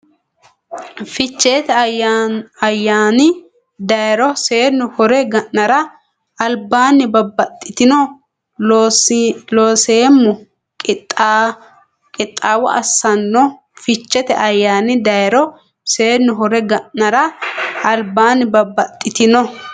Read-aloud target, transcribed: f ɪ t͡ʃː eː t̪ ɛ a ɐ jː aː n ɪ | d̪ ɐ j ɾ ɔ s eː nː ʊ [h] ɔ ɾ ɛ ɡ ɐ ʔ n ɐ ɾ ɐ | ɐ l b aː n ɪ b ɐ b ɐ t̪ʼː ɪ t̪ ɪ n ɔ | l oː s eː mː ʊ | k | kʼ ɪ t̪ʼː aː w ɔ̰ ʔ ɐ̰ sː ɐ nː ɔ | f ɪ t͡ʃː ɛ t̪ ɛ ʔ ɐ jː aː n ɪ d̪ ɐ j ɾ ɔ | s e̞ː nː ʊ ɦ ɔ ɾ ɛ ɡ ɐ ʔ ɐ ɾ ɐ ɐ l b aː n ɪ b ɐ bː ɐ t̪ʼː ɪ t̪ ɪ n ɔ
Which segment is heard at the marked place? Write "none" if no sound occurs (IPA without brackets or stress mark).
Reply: h